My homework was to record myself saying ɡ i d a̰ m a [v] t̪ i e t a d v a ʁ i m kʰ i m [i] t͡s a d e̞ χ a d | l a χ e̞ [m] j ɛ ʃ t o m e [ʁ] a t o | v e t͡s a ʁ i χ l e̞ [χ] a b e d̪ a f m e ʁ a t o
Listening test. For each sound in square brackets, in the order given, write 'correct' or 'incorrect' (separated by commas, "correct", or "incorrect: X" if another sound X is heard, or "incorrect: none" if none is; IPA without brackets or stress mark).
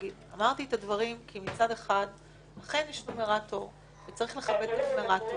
incorrect: ʁ, correct, incorrect: n, correct, correct